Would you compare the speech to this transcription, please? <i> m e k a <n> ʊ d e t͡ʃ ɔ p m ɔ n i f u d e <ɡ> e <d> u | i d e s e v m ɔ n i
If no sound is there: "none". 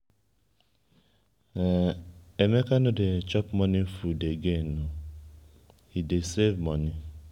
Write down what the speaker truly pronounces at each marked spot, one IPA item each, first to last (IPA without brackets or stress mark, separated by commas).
e, n, ɡ, n